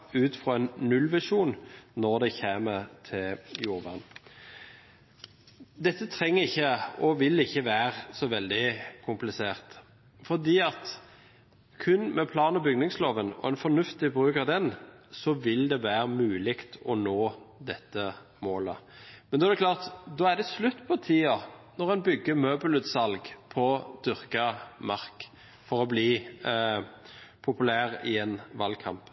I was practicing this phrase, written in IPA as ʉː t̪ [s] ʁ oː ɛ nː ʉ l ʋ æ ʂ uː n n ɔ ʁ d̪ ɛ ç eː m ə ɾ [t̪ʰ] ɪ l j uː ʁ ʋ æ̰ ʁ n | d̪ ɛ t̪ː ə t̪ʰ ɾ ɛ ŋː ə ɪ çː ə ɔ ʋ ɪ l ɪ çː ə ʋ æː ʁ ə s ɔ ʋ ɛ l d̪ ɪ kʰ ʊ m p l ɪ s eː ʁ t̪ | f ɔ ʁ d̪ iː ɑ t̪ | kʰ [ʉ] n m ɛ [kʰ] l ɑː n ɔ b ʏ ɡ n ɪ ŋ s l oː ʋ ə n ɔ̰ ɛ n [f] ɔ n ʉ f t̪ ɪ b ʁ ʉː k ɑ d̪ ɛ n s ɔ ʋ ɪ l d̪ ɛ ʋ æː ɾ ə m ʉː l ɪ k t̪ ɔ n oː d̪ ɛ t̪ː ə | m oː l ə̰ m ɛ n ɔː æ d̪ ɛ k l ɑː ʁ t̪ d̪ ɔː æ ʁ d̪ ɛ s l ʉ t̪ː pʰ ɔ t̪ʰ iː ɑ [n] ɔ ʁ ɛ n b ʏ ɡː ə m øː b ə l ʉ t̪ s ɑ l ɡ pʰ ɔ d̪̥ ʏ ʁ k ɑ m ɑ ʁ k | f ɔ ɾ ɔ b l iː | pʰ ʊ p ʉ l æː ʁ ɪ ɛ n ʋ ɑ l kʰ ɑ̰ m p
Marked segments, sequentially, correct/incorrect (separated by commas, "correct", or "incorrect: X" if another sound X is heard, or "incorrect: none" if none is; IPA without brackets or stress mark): incorrect: f, correct, correct, incorrect: pʰ, correct, correct